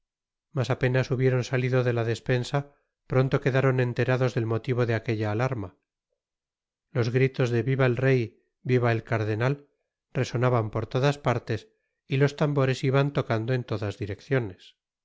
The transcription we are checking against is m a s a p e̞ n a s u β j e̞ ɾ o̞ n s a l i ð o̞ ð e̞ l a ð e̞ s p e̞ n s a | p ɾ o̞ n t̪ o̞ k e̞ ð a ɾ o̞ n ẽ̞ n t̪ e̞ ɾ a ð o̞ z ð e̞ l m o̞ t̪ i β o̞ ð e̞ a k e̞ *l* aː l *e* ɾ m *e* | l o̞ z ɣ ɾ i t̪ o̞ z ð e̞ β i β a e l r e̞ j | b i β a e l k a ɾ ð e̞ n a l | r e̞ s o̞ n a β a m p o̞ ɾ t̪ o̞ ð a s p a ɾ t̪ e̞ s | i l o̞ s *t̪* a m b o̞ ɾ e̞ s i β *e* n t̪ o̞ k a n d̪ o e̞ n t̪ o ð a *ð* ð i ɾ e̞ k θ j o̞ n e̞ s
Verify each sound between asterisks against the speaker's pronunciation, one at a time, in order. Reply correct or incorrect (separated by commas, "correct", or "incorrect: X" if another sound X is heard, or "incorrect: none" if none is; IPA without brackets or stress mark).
incorrect: ʎ, incorrect: a, incorrect: a, correct, incorrect: a, incorrect: z